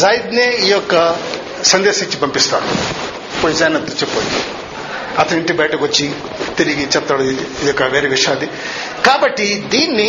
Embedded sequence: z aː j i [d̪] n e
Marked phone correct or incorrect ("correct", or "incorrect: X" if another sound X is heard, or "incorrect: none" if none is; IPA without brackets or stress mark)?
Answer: correct